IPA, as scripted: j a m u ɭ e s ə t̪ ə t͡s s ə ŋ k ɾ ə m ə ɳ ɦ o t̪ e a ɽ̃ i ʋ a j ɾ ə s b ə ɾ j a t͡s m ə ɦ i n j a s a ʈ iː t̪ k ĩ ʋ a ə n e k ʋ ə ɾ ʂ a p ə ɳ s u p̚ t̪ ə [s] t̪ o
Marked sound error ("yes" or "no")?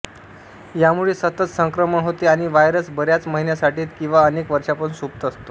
no